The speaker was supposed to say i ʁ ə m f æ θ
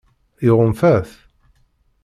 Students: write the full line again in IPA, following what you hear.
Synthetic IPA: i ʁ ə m f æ θ

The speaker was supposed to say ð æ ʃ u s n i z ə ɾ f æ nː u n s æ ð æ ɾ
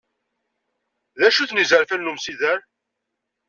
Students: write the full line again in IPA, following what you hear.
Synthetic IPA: ð æ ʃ u θ n i z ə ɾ f æ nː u m s i ð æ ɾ

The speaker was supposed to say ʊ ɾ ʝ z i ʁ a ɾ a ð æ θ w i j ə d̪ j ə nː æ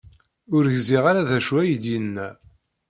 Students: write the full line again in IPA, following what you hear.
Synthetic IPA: ʊ ɾ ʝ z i ʁ a ɾ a ð æ ʃ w æ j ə d̪ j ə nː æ

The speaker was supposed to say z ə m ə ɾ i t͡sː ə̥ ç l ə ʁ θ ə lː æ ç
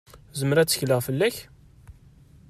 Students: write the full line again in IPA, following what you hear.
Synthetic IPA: z ə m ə ɾ æ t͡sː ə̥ ç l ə ʁ f ə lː æ ç

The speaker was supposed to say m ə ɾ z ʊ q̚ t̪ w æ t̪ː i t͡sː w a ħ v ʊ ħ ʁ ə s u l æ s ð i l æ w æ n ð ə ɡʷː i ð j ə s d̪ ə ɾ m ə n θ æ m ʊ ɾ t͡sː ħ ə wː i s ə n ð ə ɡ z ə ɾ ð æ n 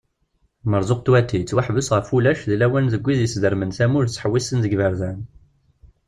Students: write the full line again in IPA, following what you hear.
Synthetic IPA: m ə ɾ z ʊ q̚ t̪ w æ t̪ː i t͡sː w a ħ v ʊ s ʁ ə f u l æ ʃ ð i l æ w æ n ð ə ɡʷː i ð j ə s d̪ ə ɾ m ə n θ æ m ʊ ɾ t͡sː ħ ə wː i s ə n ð ə ɡ v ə ɾ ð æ n

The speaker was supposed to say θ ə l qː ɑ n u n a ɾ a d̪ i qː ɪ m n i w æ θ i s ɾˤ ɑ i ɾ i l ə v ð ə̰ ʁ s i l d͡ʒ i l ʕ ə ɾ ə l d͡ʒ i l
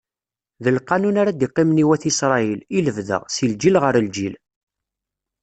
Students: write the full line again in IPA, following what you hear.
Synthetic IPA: ð ə l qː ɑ n u n a ɾ a d̪ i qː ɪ m n i w æ θ i s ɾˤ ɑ i l i l ə v ð ə̰ ʁ s i l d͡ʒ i l ʁ ə ɾ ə l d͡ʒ i l

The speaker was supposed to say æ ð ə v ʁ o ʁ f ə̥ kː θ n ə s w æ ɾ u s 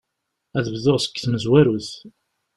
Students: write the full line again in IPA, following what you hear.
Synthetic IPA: æ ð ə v ð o ʁ s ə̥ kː θ m ə z w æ ɾ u θ

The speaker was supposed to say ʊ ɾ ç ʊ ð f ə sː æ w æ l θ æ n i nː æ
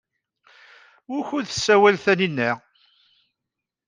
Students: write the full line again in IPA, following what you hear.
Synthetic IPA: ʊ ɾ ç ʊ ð θ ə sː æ w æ l θ æ n i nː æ

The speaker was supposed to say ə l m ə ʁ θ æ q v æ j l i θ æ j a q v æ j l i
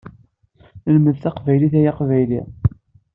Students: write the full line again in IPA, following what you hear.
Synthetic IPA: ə l m ə ð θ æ q v æ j l i θ æ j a q v æ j l i

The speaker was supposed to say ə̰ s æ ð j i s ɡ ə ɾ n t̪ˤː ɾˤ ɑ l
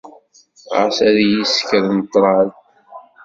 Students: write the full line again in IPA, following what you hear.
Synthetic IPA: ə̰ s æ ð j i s k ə ɾ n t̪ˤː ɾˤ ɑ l

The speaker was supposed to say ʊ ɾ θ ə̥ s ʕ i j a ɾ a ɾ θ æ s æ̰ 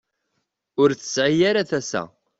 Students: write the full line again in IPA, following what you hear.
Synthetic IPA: ʊ ɾ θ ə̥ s ʕ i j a ɾ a θ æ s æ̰

